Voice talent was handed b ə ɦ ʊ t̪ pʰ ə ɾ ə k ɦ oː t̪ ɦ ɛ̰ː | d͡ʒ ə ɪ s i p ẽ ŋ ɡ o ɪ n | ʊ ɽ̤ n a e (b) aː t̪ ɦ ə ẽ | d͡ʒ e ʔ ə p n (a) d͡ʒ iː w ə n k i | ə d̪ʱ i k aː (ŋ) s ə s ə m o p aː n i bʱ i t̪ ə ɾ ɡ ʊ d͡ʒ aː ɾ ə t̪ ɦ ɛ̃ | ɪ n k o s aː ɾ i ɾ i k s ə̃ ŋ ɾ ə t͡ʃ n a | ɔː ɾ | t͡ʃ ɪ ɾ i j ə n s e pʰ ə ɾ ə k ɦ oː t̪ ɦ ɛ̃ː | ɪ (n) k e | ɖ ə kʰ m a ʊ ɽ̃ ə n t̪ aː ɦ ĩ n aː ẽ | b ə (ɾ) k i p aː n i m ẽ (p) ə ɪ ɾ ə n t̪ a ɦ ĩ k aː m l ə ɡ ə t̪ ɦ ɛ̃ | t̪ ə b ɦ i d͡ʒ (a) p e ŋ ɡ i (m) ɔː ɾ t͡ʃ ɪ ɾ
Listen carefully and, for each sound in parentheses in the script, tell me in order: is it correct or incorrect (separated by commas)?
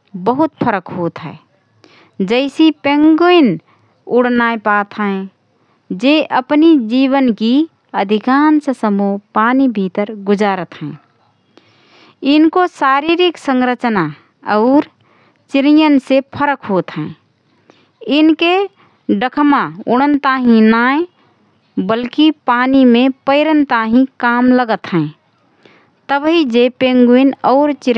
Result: incorrect, incorrect, incorrect, correct, incorrect, correct, incorrect, incorrect